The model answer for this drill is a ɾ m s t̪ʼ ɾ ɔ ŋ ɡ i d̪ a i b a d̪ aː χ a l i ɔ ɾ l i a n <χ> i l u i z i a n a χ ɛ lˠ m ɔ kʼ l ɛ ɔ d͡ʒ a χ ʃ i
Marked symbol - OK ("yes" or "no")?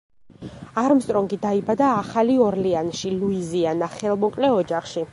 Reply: no